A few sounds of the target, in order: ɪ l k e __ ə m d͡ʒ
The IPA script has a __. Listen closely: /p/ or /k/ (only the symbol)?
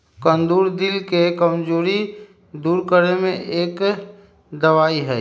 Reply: k